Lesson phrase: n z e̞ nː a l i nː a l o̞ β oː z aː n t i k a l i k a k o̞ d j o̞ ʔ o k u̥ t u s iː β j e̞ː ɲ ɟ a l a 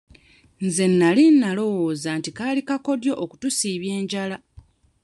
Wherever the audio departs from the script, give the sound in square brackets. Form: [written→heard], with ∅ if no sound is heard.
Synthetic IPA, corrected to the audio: n z e̞ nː a l i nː a l o̞ [β→w] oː z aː n t i k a l i k a k o̞ d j o̞ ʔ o k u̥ t u s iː β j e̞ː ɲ ɟ a l a